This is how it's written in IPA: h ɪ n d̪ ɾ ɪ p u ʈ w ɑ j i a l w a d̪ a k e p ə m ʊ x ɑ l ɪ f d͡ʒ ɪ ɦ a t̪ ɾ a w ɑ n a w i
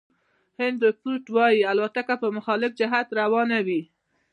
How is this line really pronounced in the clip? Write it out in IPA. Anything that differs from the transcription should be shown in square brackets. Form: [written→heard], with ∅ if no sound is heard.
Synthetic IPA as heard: h ɪ n d̪ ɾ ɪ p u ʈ w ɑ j i a l w a [d̪→t̪] a k [e→a] p ə m ʊ x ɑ l ɪ f d͡ʒ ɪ ɦ a t̪ ɾ a w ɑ n a w i